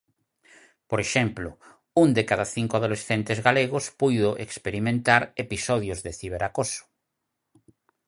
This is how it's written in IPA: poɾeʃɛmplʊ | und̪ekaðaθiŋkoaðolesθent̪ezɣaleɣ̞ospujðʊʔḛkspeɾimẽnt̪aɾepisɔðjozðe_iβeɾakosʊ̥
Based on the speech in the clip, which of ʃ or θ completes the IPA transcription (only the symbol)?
θ